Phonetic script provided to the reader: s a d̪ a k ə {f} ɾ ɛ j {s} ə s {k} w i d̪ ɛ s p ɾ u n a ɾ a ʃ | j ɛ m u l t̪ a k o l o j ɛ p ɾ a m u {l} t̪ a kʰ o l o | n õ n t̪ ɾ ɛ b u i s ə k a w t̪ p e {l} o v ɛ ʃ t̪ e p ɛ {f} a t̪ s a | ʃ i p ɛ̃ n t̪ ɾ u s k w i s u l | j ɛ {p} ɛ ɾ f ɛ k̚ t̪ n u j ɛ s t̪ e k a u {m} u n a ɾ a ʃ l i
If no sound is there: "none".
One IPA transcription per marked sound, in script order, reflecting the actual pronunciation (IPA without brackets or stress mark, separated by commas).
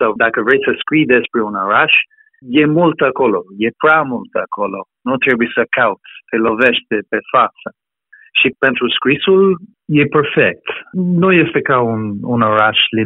v, s, k, l, l, f, p, n